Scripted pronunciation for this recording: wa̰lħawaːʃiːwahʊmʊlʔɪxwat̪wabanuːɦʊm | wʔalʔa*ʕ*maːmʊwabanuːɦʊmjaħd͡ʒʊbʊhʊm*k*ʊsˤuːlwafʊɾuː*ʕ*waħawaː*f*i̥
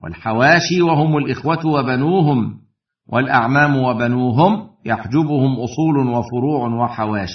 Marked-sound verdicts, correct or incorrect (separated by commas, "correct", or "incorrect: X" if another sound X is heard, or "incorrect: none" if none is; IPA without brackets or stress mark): correct, incorrect: ʔ, correct, incorrect: ʃ